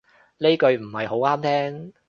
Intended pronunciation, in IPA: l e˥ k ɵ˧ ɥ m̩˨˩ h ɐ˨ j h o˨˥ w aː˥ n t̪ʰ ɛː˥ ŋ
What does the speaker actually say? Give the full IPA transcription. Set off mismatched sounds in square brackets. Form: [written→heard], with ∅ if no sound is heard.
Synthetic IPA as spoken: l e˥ k ɵ˧ ɥ m̩˨˩ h ɐ˨ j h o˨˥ w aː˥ [n→m] t̪ʰ ɛː˥ ŋ